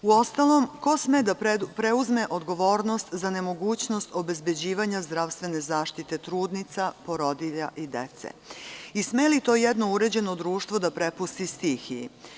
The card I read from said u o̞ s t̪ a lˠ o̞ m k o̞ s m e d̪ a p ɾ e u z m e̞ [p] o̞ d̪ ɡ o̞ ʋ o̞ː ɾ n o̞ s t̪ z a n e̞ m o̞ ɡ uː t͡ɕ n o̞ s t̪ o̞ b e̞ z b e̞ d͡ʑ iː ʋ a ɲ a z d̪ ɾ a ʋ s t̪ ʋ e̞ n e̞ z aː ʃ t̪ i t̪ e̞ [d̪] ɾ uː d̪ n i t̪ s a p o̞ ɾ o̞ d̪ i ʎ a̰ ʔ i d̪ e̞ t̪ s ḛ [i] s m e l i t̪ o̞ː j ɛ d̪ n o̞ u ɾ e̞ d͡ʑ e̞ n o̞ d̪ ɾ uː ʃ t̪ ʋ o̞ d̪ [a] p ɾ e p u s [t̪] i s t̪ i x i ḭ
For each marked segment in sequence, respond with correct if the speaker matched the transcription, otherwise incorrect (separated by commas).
incorrect, incorrect, correct, correct, correct